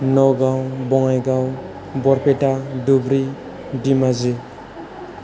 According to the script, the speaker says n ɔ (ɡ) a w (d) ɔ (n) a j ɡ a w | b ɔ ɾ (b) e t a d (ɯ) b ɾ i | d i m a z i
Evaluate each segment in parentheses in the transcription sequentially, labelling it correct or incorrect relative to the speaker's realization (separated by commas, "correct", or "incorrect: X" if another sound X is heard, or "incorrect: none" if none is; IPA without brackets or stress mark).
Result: correct, incorrect: b, incorrect: ŋ, incorrect: p, incorrect: u